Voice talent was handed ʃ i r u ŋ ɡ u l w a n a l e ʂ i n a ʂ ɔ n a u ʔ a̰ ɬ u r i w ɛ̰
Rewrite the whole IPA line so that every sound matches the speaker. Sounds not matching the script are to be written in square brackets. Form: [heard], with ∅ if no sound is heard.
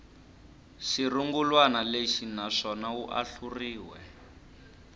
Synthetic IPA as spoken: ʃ i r u ŋ ɡ u l w a n a l e [ʃ] i n a ʂ ɔ n a u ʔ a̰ ɬ u r [iː] w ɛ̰